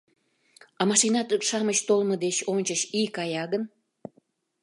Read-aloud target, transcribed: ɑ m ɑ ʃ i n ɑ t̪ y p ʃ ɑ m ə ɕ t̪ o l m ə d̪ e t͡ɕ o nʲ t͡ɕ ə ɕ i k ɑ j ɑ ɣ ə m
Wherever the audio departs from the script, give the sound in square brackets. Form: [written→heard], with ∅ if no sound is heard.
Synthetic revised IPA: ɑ m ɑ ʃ i n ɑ t̪ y [p→k] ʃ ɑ m ə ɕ t̪ o l m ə d̪ e t͡ɕ o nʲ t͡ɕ ə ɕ i k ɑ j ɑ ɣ ə [m→n]